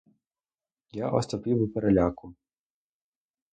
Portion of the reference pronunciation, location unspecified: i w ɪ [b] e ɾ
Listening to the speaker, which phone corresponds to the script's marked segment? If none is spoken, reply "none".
p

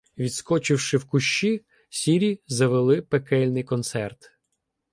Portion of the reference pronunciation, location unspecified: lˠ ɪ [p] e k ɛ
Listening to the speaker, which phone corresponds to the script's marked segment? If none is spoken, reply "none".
p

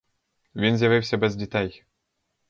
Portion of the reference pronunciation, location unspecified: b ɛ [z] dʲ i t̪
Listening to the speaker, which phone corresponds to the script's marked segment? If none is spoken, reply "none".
z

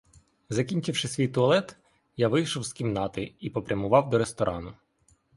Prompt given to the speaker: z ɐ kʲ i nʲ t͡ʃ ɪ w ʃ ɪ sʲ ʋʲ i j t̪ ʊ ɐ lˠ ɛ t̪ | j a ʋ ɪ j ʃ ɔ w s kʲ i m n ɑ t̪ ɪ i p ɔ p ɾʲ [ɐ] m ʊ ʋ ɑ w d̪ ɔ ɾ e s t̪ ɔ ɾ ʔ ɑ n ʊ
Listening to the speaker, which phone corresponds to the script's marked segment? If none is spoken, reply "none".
ɐ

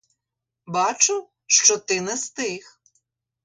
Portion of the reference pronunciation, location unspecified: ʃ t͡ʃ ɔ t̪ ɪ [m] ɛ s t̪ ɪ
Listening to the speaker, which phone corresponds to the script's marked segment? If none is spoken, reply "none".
n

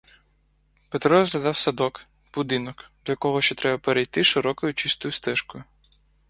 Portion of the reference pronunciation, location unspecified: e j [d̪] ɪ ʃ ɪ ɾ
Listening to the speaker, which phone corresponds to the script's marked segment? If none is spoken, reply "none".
t̪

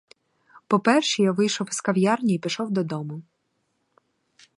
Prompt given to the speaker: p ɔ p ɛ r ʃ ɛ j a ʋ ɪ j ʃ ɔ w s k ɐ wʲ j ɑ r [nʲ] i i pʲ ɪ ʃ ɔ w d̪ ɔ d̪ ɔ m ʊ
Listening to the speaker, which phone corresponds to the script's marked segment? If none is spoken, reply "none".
nʲ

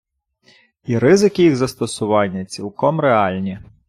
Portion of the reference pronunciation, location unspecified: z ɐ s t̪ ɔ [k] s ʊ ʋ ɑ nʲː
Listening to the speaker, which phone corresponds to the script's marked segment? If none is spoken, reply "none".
none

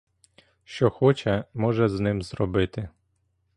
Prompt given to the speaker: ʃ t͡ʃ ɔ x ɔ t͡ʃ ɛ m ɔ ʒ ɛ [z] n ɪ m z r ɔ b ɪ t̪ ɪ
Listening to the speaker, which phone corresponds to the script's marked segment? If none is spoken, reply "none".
z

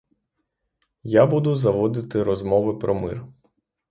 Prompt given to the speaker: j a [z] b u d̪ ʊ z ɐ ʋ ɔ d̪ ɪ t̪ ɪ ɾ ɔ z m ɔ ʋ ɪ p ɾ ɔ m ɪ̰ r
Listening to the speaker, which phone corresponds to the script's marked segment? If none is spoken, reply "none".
none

